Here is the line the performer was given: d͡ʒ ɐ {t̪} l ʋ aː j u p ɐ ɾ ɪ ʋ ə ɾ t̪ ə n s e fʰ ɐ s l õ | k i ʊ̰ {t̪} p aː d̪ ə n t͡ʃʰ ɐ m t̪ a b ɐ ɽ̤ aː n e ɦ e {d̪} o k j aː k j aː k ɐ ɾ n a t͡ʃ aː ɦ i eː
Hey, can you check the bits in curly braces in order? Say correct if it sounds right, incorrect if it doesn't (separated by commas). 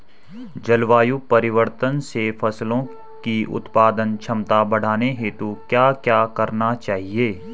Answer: incorrect, correct, incorrect